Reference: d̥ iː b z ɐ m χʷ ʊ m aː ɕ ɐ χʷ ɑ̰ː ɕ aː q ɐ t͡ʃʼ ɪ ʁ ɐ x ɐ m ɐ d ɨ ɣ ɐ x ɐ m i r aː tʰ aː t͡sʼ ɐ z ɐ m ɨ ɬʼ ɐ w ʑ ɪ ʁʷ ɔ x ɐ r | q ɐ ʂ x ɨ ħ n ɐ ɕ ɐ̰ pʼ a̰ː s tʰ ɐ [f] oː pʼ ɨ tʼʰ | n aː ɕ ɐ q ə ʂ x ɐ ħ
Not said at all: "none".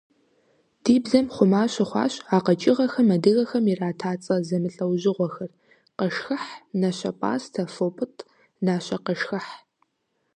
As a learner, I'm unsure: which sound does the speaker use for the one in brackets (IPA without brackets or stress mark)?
f